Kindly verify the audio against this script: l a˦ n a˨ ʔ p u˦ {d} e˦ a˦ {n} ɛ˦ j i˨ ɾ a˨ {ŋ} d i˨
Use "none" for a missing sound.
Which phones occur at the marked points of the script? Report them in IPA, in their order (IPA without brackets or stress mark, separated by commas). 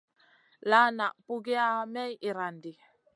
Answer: ɡ, m, n